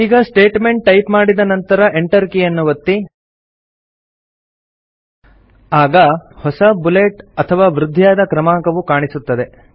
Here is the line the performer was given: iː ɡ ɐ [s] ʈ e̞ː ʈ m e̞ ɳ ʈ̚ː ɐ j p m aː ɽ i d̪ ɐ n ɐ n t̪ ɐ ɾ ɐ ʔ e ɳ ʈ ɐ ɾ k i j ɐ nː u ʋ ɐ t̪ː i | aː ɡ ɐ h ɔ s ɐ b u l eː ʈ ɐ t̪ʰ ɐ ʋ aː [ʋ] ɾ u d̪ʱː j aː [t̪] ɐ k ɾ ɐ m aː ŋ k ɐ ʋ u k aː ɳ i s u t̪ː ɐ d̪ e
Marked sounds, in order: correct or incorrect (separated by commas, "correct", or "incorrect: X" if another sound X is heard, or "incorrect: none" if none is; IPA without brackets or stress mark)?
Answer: correct, correct, incorrect: d̪